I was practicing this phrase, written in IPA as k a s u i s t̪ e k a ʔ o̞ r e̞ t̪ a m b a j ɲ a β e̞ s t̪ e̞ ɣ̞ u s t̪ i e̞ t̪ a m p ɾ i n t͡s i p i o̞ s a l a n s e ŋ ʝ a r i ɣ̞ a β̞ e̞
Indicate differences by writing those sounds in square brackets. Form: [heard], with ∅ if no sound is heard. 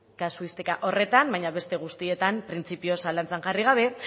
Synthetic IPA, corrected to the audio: k a s u i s t̪ e k a ʔ o̞ r e̞ t̪ a m b a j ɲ a β e̞ s t̪ e̞ ɣ̞ u s t̪ i e̞ t̪ a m p ɾ i n t͡s i p i o̞ s a l a n [t͡s] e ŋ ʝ a r i ɣ̞ a β̞ e̞